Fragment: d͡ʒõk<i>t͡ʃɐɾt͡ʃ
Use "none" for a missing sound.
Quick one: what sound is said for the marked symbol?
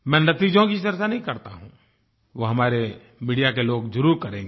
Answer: i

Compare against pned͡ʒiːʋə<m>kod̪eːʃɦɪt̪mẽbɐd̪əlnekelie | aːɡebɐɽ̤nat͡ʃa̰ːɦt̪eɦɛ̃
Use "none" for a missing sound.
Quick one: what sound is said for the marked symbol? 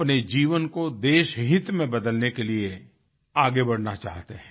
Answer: n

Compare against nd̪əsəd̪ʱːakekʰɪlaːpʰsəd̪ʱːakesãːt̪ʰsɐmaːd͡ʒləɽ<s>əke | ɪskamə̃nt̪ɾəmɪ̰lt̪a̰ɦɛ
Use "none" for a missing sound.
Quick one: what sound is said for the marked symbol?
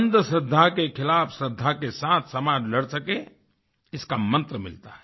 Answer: s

